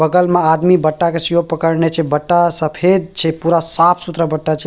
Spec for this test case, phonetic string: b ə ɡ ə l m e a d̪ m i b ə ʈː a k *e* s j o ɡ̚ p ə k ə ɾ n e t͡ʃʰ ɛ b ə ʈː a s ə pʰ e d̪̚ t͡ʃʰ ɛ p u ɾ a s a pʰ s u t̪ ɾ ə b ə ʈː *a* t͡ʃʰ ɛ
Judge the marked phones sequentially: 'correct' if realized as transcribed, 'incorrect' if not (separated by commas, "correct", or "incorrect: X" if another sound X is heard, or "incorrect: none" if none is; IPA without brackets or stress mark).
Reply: correct, correct